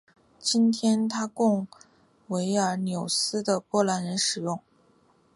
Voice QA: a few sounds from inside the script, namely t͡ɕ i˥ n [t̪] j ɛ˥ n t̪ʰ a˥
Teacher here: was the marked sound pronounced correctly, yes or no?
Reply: no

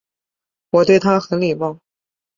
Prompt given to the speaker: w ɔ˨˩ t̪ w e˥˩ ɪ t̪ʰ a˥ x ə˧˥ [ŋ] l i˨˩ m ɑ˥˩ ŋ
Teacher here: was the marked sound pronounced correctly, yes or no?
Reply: no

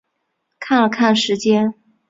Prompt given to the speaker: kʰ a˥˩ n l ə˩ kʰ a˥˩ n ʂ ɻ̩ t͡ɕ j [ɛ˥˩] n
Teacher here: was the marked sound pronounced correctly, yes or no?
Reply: no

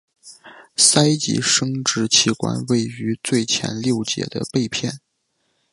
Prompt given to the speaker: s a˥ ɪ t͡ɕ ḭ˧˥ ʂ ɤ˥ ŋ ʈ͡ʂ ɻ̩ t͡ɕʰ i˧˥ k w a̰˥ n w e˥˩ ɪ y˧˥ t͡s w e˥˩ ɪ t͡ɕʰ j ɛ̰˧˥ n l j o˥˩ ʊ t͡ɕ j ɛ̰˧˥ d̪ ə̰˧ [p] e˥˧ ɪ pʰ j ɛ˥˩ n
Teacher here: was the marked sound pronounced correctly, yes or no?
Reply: yes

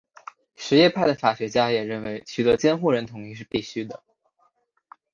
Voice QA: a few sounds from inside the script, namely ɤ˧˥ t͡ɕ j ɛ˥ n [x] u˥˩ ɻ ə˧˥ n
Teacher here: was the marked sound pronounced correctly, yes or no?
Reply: yes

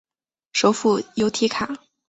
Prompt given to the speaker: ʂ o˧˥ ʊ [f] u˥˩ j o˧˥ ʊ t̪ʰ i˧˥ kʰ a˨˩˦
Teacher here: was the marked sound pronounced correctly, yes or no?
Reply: yes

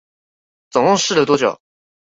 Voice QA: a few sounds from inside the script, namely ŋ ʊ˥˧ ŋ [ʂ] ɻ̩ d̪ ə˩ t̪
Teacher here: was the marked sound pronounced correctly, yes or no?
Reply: yes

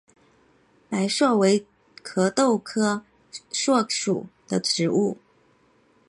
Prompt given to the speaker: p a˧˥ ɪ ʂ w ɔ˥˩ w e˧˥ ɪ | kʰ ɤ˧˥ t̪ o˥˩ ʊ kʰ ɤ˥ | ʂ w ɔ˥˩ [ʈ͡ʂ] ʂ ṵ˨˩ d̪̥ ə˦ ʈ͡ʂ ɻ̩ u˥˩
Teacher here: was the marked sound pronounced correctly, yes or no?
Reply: no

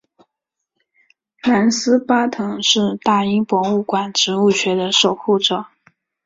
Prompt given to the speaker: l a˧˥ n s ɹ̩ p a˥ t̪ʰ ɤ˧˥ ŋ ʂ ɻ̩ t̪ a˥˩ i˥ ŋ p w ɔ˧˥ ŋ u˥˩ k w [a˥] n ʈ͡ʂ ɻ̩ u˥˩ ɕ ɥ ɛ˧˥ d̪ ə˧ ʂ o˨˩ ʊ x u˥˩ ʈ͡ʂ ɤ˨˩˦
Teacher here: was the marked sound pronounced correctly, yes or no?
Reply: no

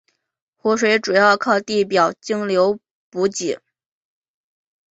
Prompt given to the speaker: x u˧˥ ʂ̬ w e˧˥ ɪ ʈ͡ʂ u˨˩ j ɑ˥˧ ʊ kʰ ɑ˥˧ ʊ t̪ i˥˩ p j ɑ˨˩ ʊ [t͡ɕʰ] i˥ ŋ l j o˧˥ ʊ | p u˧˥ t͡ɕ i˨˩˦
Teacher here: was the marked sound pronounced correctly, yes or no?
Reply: no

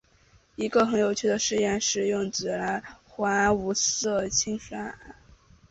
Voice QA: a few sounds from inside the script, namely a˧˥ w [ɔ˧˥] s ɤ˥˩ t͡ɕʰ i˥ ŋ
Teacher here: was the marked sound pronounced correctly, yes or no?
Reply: no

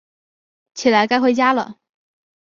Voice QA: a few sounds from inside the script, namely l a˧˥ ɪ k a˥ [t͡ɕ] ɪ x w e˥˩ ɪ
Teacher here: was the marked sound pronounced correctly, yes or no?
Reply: no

